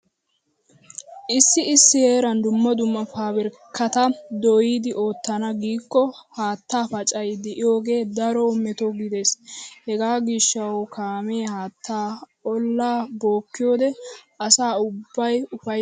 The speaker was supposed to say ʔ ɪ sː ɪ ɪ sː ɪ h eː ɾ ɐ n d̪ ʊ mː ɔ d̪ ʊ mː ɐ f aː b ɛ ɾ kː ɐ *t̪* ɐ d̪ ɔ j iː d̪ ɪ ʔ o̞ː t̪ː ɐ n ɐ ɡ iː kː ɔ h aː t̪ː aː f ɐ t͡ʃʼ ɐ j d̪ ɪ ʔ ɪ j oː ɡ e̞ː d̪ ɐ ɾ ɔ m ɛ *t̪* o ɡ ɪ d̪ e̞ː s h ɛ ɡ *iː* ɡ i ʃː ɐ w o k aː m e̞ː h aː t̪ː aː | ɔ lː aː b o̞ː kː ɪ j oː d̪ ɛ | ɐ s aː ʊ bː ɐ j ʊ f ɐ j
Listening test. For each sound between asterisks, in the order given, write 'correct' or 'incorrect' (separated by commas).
correct, correct, incorrect